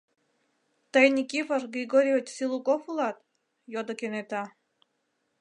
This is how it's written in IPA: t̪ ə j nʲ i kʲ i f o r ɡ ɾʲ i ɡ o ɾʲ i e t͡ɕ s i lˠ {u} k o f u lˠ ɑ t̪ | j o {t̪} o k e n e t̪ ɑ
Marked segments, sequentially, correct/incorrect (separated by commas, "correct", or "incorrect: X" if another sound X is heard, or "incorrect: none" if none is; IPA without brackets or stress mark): correct, incorrect: d̪